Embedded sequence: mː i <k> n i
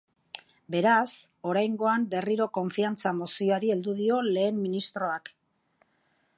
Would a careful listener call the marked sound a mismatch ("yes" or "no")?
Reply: yes